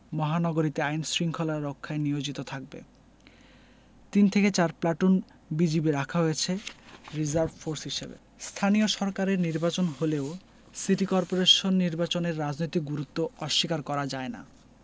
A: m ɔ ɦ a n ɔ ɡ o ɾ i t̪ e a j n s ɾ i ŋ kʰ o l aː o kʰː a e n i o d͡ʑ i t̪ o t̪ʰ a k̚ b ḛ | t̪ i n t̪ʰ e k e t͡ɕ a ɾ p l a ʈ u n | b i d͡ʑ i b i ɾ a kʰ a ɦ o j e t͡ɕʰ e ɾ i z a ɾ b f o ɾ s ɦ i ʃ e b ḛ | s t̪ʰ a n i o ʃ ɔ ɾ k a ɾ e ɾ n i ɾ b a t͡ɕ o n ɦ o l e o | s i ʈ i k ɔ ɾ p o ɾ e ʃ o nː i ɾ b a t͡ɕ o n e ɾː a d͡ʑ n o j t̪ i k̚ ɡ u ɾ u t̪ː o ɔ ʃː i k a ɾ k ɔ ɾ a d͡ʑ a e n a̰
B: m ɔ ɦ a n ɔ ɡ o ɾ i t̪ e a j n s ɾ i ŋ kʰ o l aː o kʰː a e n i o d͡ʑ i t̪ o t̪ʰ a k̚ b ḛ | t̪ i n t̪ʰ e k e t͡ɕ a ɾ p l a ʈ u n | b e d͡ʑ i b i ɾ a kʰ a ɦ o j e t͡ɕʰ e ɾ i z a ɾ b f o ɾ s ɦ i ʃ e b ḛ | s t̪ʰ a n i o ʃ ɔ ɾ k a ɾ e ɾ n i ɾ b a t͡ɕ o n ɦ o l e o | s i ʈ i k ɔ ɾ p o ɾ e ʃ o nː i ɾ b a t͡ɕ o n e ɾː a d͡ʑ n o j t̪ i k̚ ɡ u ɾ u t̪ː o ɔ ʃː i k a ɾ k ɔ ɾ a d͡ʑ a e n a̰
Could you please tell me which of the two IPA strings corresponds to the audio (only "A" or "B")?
A